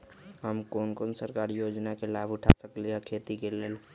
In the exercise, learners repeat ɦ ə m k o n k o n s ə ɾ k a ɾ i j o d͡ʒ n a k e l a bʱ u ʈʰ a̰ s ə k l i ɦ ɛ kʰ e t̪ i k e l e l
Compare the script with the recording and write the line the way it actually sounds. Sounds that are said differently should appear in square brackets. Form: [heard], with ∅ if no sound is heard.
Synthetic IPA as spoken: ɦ ə m k o n k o n s ə ɾ k a ɾ i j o d͡ʒ n a k e l a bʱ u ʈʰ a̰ s ə k l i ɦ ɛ kʰ e t̪ i k e l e l